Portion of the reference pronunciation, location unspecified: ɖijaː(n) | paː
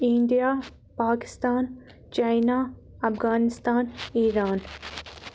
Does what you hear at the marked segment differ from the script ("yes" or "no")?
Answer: yes